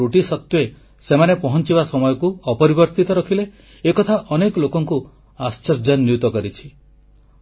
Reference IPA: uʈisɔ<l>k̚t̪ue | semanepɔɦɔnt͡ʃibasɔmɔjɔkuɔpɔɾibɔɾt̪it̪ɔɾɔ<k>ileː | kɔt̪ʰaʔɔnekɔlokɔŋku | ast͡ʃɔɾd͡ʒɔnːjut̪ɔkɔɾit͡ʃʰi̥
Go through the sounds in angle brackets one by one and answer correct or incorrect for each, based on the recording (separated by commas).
incorrect, incorrect